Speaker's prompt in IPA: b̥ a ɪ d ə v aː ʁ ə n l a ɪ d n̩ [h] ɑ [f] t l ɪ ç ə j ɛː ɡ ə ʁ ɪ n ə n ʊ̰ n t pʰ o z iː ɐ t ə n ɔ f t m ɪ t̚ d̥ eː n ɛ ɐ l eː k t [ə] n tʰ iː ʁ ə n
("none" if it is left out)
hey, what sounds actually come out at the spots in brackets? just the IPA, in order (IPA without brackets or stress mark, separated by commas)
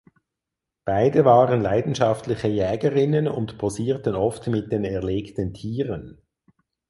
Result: ʃ, f, ə